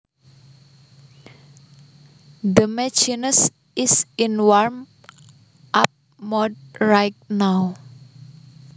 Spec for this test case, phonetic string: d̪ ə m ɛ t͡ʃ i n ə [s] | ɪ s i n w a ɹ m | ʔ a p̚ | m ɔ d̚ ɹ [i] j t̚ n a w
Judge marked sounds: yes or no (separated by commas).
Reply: yes, no